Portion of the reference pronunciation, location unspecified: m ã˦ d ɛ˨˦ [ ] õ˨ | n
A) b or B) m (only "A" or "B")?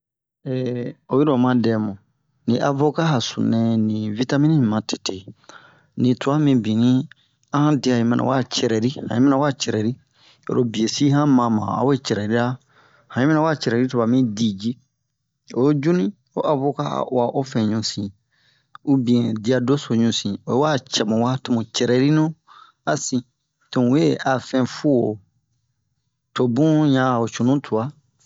B